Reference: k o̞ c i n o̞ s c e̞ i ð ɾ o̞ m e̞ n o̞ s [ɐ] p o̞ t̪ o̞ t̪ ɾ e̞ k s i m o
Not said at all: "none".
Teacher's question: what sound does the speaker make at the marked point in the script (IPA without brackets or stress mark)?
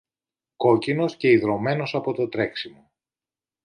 ɐ